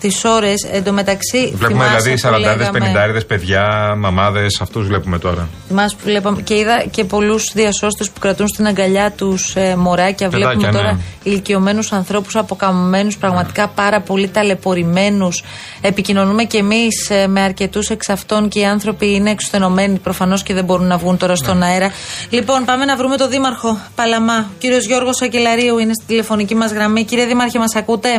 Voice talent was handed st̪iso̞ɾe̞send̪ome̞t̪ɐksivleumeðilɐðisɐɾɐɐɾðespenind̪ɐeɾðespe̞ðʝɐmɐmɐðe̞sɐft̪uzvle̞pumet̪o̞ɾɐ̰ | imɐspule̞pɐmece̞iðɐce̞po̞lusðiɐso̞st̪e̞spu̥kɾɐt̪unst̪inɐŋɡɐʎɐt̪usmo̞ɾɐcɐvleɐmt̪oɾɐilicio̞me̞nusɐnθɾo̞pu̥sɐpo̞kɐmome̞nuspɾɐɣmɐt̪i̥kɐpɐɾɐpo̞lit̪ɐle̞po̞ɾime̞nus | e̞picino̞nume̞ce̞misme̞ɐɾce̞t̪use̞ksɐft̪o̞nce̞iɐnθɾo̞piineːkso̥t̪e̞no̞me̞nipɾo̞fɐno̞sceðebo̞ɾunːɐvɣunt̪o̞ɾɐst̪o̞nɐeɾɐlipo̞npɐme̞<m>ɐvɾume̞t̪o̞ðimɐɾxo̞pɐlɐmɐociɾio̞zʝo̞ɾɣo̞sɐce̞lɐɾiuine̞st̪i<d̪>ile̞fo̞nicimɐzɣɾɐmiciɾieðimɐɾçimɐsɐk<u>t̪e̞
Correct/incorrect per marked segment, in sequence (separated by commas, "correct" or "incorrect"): incorrect, correct, correct